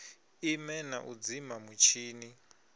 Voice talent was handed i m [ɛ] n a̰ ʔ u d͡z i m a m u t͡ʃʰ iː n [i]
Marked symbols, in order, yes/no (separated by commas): yes, yes